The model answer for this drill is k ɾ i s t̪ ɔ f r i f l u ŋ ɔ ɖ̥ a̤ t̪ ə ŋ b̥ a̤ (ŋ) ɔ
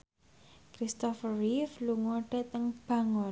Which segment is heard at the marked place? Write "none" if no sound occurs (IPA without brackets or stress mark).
ŋ